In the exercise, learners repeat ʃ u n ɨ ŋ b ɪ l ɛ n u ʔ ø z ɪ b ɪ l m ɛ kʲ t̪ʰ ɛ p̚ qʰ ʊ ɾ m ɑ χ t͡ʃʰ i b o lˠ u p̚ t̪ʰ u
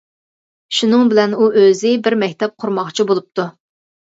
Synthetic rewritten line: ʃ u n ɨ ŋ b ɪ l ɛ n u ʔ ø z ɪ b ɪ ɾ m ɛ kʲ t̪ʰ ɛ p̚ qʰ ʊ ɾ m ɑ χ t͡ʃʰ i b o lˠ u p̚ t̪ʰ u

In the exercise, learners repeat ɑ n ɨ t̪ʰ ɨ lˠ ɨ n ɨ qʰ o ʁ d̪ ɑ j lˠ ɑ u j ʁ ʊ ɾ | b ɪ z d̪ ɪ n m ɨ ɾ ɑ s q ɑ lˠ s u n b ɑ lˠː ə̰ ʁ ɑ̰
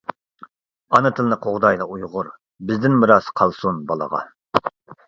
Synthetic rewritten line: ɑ n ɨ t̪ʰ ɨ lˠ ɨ n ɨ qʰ o ʁ d̪ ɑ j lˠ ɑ u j ʁ ʊ ɾ | b ɪ z d̪ ɪ n m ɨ ɾ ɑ s qʰ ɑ lˠ s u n b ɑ lˠ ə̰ ʁ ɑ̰

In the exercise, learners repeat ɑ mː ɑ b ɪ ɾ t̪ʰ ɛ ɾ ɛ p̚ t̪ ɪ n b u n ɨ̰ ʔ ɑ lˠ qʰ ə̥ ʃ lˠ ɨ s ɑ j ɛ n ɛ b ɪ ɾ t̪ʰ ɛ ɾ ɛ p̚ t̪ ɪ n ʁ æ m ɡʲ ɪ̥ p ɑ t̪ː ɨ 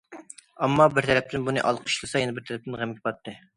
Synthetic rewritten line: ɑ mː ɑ b ɪ ɾ t̪ʰ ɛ ɾ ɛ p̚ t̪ ɪ n b u n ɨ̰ ʔ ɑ lˠ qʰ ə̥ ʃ lˠ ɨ s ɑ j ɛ n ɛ b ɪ ɾ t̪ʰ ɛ ɾ ɛ p̚ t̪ ɪ n ʁ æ m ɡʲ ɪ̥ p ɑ t̪ː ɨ

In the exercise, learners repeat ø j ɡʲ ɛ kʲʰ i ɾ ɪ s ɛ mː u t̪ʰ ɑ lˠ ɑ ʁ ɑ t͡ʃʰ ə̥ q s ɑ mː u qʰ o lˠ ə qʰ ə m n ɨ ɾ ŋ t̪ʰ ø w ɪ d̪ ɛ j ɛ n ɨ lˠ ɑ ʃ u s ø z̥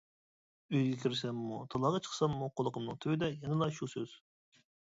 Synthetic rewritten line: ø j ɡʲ ɛ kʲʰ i ɾ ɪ s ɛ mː u t̪ʰ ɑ lˠ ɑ ʁ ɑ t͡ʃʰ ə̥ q s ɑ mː u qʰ o lˠ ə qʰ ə m n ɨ ŋ t̪ʰ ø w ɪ d̪ ɛ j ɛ n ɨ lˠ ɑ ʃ u s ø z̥

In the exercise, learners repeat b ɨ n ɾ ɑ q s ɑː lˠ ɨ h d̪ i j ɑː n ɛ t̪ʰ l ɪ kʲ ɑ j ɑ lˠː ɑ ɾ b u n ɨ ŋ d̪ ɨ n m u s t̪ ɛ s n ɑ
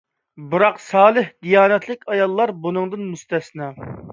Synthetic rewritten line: b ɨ ɾ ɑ q s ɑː lˠ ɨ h d̪ i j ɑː n ɛ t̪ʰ l ɪ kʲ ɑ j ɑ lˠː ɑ ɾ b u n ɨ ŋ d̪ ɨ n m u s t̪ ɛ s n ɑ

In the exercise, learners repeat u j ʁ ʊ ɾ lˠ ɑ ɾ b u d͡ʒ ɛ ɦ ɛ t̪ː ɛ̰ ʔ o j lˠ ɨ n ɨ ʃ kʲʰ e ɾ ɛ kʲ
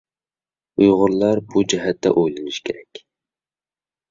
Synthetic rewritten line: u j ʁ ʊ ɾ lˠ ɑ ɾ b u d͡ʒ ɛ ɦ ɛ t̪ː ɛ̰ ʔ o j lˠ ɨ n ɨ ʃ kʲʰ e ɾ ɛ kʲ

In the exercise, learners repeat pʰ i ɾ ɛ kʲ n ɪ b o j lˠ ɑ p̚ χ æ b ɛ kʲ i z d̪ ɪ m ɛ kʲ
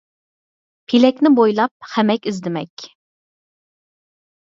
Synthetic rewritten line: pʰ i l ɛ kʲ n ɪ b o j lˠ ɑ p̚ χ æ m ɛ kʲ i z d̪ ɪ m ɛ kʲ

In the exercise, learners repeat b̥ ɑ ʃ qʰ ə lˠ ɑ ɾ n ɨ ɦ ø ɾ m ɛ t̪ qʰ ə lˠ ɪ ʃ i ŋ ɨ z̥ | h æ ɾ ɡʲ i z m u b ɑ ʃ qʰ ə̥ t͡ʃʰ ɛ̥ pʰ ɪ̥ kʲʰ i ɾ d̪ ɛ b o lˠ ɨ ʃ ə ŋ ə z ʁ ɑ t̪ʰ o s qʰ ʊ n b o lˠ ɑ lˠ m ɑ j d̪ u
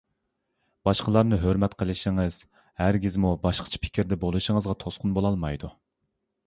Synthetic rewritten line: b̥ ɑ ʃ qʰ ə lˠ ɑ ɾ n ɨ ɦ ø ɾ m ɛ t̪ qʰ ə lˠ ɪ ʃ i ŋ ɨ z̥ | h æ ɾ ɡʲ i z m u b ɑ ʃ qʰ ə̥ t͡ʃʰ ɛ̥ pʰ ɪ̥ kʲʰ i ɾ d̪ ɛ b o lˠ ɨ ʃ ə ŋ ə z ʁ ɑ t̪ʰ o s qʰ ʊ n b o lˠ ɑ lˠ m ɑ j d̪ u

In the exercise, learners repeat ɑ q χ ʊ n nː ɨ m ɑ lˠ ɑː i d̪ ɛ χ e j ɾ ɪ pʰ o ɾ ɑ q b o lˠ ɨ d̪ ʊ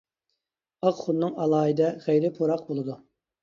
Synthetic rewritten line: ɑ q χ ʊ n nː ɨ ŋ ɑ lˠ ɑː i d̪ ɛ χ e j ɾ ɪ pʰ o ɾ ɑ q b o lˠ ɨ d̪ u

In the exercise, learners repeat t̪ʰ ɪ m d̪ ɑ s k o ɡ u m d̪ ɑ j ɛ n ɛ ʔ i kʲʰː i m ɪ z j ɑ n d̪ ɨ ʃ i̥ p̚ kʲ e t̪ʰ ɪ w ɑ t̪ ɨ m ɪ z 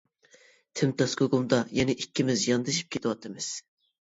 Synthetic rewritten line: t̪ʰ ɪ m t̪ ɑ s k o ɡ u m d̪ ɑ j ɛ n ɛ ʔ i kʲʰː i m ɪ z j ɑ n d̪ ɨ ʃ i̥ p̚ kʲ e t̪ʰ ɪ w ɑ t̪ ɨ m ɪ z

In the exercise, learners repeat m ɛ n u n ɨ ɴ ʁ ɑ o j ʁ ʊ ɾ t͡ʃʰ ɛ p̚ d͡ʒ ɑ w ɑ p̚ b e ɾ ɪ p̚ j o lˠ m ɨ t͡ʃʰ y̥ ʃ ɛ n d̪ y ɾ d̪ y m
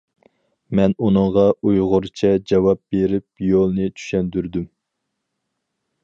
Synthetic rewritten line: m ɛ n u n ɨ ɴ ʁ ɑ u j ʁ ʊ ɾ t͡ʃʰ ɛ d͡ʒ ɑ w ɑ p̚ b e ɾ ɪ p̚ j o lˠ n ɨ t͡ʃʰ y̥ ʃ ɛ n d̪ y ɾ d̪ y m

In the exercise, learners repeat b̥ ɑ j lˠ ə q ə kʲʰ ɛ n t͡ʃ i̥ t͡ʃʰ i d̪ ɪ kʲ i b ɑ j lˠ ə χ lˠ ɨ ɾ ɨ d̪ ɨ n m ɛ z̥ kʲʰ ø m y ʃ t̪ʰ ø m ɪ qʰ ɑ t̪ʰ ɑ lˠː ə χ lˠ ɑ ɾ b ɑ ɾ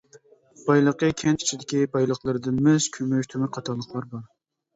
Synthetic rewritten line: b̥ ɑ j lˠ ə q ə kʲʰ ɛ n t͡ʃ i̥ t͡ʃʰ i d̪ ɪ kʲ i b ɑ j lˠ ə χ lˠ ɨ ɾ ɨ d̪ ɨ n m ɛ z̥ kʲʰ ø m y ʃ t̪ʰ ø m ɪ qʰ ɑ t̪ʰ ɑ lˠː ə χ lˠ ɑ ɾ b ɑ ɾ

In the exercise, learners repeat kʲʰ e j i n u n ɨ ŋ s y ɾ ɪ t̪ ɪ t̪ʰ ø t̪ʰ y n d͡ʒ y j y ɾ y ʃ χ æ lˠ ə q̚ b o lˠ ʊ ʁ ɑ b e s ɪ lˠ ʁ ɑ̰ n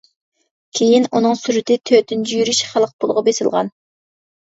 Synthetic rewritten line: kʲʰ e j i n u n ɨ ŋ s y ɾ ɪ t̪ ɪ t̪ʰ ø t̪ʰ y n d͡ʒ y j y ɾ y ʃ χ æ lˠ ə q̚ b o lˠ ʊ ʁ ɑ b e s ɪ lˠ ʁ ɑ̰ n

